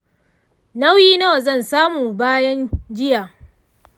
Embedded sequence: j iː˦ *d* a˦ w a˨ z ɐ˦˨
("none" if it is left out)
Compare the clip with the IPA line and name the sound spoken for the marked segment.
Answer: n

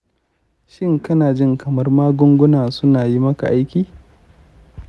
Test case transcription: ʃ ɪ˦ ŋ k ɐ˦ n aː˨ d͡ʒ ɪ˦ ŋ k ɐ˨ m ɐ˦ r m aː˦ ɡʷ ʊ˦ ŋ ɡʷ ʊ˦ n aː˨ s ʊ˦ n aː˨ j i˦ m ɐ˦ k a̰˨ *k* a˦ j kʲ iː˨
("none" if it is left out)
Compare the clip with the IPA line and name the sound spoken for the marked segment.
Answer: ʔ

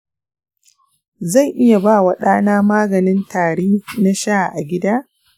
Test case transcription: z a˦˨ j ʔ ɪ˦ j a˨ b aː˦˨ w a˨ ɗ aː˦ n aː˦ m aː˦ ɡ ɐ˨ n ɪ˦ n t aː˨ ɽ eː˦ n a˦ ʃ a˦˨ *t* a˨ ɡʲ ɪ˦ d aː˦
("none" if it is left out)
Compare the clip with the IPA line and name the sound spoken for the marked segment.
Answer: ʔ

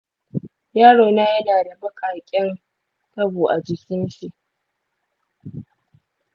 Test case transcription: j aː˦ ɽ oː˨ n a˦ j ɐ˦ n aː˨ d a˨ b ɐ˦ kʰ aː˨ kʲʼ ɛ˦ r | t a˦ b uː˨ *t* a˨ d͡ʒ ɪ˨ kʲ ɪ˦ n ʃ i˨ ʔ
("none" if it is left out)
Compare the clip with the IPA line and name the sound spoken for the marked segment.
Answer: ʔ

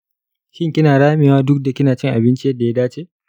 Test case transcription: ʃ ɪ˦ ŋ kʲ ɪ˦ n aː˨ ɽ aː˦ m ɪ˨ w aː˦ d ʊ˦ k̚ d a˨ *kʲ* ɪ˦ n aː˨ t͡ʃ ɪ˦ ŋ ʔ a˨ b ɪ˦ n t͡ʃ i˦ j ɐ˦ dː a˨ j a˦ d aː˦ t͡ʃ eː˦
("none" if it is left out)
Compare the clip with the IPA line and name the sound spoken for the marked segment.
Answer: kʲ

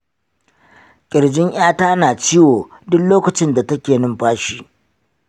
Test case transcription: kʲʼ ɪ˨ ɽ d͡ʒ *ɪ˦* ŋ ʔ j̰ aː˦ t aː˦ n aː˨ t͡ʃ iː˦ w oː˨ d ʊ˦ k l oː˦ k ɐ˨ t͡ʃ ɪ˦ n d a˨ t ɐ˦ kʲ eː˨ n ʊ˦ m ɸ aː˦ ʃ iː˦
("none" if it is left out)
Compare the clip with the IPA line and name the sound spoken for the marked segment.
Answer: ɪ˦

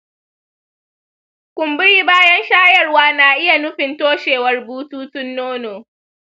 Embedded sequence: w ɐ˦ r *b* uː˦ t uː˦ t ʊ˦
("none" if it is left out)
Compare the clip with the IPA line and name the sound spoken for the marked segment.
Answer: b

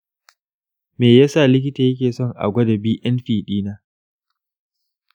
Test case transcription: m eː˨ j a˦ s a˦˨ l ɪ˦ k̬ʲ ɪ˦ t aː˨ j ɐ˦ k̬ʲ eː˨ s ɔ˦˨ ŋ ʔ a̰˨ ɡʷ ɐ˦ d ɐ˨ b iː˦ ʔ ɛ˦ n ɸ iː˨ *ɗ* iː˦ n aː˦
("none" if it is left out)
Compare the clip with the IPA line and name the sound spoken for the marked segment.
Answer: ɗ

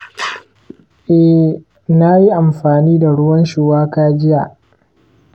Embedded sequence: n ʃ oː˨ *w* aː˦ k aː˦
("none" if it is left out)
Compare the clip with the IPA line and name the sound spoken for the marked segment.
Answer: w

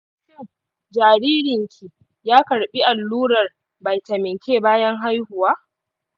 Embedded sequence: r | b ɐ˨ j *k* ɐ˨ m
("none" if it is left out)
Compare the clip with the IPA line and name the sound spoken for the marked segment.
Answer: t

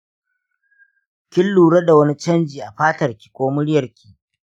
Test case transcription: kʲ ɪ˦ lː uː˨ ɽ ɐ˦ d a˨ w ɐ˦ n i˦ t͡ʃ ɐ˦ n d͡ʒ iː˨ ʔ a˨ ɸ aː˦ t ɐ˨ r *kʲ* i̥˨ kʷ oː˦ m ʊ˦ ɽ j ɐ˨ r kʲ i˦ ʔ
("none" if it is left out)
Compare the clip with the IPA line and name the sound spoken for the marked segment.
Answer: kʲ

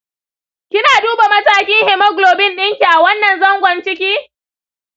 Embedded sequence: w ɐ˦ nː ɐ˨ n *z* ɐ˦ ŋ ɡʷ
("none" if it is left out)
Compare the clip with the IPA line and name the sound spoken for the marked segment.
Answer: z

